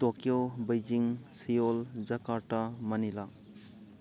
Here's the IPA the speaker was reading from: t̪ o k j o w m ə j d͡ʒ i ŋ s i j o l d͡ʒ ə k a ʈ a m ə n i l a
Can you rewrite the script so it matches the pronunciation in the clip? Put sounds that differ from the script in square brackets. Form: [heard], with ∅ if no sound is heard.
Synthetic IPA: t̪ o k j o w [b] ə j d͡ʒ i ŋ s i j o l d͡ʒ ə k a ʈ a m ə n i l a